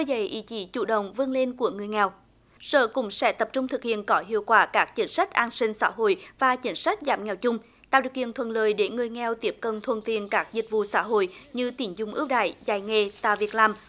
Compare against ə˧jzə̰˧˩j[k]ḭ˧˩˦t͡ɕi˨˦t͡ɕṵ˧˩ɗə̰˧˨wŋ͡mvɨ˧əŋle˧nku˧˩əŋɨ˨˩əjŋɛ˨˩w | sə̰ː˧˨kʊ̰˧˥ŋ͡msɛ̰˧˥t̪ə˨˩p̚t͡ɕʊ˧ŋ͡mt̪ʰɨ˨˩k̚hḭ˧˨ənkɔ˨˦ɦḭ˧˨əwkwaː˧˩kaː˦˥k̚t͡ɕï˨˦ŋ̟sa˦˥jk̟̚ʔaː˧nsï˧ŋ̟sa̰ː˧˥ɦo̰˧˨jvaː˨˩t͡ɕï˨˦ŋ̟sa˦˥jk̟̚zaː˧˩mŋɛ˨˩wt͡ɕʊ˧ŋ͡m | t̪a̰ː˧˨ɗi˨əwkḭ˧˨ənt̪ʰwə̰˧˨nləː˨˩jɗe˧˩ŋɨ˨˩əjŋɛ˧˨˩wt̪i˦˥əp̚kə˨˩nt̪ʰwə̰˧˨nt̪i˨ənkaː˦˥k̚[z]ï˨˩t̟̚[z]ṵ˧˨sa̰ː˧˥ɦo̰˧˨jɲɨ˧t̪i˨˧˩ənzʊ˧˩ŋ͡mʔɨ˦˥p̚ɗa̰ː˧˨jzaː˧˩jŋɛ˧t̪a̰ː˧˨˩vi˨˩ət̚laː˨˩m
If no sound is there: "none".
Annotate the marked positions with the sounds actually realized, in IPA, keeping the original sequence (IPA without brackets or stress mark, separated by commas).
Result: ʔ, z, v